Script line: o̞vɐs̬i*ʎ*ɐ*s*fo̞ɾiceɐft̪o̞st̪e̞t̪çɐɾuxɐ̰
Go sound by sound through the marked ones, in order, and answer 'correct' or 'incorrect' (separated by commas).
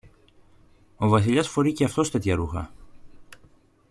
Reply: correct, correct